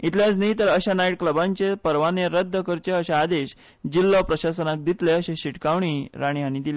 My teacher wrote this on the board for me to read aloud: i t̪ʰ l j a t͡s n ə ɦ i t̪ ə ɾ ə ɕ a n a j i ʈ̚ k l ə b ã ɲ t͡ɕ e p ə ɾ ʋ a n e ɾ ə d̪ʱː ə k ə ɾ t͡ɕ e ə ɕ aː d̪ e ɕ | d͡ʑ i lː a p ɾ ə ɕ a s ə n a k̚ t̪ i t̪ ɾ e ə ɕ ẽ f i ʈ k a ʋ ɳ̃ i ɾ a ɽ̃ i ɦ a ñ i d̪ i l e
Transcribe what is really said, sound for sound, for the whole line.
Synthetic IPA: i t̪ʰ l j a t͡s n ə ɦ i t̪ ə ɾ ə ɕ a n a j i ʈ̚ k l ə b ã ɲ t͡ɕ e p ə ɾ ʋ a n e ɾ ə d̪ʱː ə k ə ɾ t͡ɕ e ə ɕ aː d̪ e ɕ | d͡ʑ i lː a p ɾ ə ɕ a s ə n a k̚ d̪ i t̪ l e ə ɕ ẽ ɕ i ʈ k a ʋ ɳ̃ i ɾ a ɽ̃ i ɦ a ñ i d̪ i l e